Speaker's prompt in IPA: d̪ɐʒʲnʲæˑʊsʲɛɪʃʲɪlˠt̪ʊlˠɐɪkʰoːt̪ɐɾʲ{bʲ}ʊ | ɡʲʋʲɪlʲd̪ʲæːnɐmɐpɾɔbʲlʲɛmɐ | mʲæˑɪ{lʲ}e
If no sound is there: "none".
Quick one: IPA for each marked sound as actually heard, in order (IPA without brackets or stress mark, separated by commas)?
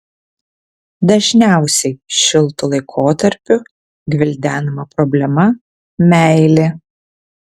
pʲ, lʲ